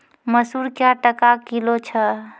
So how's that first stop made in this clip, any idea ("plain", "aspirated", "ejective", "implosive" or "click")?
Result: plain